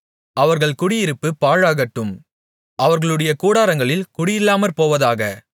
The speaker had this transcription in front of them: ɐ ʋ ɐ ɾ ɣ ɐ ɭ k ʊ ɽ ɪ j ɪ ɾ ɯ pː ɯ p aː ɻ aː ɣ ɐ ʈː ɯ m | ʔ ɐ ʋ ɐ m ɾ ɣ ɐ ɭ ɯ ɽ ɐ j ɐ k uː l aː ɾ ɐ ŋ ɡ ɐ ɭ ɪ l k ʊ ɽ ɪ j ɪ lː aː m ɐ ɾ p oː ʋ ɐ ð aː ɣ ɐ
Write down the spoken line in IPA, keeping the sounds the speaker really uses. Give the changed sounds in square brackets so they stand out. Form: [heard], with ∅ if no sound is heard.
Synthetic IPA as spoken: ɐ ʋ ɐ ɾ ɣ ɐ ɭ k ʊ ɽ ɪ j ɪ ɾ ɯ pː ɯ p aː ɻ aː ɣ ɐ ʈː ɯ m | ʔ ɐ ʋ ɐ [∅] ɾ ɣ ɐ ɭ ɯ ɽ ɐ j ɐ k uː [ɽ] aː ɾ ɐ ŋ ɡ ɐ ɭ ɪ l k ʊ ɽ ɪ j ɪ lː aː m ɐ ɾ p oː ʋ ɐ ð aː ɣ ɐ